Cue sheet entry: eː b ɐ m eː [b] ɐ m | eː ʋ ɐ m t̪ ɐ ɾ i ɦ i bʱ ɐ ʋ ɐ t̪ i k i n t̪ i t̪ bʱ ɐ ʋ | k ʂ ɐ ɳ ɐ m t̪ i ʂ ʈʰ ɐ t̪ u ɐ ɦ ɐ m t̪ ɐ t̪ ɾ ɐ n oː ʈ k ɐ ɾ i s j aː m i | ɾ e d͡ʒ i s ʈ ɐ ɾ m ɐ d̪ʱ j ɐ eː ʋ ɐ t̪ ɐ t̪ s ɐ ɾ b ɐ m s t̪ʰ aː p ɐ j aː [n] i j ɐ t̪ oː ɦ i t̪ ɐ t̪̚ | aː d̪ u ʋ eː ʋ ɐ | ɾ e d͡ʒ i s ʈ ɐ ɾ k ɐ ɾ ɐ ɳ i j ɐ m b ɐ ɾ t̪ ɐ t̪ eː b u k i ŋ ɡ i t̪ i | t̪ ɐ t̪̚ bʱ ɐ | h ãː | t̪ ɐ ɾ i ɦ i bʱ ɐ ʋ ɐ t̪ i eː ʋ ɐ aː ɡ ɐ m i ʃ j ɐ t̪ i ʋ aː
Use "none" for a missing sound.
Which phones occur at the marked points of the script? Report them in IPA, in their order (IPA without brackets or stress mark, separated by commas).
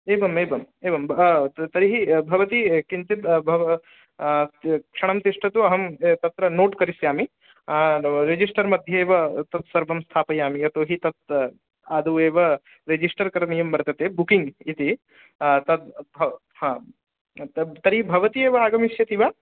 b, m